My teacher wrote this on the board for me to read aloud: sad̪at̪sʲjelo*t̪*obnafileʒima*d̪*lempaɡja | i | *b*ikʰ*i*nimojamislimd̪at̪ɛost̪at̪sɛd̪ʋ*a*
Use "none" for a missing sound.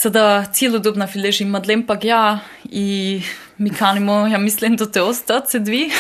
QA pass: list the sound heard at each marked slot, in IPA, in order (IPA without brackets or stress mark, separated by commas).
d̪, d̪, m, a, i